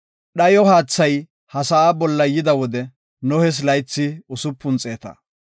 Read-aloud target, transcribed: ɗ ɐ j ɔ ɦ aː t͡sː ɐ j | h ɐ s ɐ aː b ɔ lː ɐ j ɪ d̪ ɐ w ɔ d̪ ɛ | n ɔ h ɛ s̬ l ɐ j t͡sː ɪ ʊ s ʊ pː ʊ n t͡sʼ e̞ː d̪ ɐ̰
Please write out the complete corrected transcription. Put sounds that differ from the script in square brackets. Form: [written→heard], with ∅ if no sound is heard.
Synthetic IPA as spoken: ɗ ɐ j ɔ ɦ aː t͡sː ɐ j | h ɐ s ɐ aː b ɔ lː ɐ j ɪ d̪ ɐ w ɔ d̪ ɛ | n ɔ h ɛ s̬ l ɐ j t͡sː ɪ ʊ s ʊ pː ʊ n t͡sʼ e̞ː [d̪→t̪] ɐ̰